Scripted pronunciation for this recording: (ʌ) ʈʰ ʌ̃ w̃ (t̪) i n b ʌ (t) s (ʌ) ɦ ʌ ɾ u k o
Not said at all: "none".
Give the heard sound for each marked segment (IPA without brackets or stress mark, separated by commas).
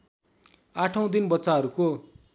a, d̪, t, a